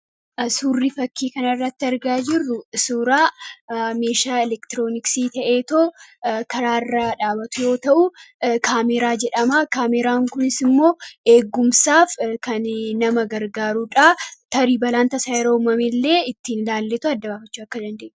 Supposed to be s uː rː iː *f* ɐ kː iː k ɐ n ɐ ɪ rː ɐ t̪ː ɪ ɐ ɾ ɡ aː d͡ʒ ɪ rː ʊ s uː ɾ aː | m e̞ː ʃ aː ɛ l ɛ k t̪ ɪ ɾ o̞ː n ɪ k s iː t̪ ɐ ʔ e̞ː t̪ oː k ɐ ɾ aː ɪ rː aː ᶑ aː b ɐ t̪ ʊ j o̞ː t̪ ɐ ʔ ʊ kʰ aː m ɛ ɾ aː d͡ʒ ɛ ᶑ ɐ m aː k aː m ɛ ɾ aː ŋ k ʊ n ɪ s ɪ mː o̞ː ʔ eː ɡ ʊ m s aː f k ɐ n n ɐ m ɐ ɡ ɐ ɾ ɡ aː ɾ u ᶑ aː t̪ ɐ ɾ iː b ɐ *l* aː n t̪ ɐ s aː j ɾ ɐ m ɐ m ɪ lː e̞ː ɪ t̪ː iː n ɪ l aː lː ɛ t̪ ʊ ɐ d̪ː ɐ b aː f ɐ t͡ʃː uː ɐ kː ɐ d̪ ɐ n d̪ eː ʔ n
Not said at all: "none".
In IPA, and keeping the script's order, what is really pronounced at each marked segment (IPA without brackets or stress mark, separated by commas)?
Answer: f, l